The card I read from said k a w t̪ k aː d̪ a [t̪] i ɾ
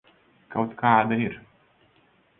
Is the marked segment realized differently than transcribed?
yes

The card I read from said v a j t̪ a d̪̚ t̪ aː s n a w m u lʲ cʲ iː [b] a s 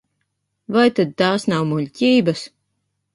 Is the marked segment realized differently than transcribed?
no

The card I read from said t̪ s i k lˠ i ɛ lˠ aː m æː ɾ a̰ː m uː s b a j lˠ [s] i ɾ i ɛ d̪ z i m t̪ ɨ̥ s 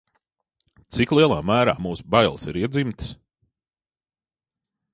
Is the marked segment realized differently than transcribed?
no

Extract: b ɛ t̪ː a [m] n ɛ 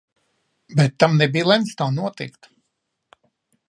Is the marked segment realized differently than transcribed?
no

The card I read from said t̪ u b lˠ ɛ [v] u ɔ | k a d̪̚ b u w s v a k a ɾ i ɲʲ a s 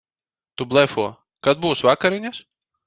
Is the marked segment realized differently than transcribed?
yes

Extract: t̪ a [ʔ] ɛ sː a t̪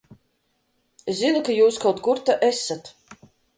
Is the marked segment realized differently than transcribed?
no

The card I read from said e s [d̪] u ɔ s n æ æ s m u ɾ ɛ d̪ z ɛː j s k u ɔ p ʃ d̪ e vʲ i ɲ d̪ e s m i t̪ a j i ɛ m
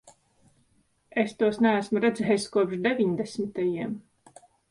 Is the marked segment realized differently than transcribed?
yes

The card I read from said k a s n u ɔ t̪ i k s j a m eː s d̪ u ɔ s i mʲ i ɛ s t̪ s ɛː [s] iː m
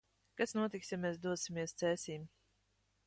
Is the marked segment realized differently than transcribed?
no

